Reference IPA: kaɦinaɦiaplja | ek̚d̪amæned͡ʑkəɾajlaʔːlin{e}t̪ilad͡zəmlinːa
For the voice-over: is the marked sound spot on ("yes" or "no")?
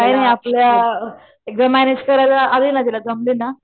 no